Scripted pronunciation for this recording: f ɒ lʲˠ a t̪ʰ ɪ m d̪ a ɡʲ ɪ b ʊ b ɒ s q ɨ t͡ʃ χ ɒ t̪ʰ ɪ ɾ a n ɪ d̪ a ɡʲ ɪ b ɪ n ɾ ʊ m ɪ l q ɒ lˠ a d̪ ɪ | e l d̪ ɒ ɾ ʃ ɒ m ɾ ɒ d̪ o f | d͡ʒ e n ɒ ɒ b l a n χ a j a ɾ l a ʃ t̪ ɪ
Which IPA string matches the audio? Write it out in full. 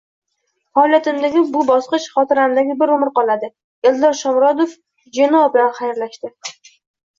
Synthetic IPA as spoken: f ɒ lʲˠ a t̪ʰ ɪ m d̪ a ɡʲ ɪ b ʊ b ɒ s q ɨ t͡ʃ χ ɒ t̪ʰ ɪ ɾ a n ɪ d̪ a ɡʲ ɪ b ɪ ɾ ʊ m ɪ ɾ q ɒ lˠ a d̪ ɪ | e l d̪ ɒ ɾ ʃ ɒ m ɾ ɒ d̪ o f | d͡ʒ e n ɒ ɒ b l a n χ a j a ɾ l a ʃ t̪ ɪ